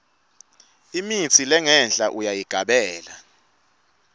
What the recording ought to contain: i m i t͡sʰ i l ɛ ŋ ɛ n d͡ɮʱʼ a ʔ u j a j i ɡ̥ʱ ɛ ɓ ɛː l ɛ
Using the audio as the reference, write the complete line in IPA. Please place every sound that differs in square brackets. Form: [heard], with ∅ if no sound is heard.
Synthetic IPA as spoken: i m i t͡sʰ i l ɛ ŋ ɛ n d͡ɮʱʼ a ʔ u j a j i ɡ̥ʱ [a] ɓ ɛː l [a]

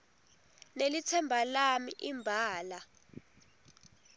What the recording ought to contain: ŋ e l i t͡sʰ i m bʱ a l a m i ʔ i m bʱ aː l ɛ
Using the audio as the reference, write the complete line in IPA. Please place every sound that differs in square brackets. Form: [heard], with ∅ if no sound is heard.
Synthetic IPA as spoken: [n] e l i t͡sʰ [ɛ] m bʱ a l a m i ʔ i m bʱ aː l [a]

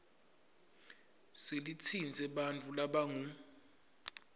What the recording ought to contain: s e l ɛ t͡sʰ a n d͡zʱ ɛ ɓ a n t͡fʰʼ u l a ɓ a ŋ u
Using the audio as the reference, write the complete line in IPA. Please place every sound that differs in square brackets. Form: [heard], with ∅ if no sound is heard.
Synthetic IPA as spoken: s e l [i] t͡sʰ [i] n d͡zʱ ɛ ɓ a n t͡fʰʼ u l a ɓ a ŋ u

